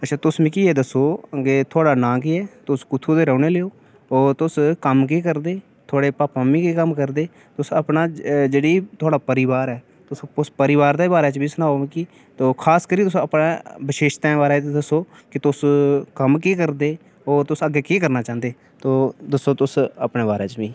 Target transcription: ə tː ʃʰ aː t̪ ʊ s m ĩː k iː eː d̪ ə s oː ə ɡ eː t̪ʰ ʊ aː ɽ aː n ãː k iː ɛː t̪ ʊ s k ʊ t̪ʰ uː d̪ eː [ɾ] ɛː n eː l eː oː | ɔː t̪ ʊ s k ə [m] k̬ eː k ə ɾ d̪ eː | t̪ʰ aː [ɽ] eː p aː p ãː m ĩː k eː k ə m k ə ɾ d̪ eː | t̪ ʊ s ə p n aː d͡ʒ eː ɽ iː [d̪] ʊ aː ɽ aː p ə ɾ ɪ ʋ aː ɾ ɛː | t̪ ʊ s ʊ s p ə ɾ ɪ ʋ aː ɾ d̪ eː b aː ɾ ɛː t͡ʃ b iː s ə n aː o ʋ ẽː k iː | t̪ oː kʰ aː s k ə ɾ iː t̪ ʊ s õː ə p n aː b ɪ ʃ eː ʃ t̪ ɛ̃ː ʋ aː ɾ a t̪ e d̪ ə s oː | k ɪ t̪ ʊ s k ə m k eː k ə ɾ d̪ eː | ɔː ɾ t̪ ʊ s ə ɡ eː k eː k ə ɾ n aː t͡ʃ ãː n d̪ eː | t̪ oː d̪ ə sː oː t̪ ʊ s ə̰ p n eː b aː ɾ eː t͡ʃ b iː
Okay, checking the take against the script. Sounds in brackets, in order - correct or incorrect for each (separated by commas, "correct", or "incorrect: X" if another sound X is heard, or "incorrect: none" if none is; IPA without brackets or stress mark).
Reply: correct, correct, correct, incorrect: t̪